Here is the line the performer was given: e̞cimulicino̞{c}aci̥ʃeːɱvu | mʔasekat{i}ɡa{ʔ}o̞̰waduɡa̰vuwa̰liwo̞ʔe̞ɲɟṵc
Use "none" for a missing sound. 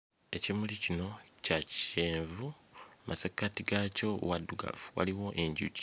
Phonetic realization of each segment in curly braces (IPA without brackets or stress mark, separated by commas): c, i, c